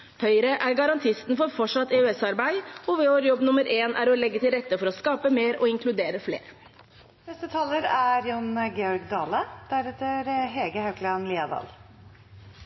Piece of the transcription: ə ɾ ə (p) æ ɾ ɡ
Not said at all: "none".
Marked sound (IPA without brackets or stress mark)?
ʔ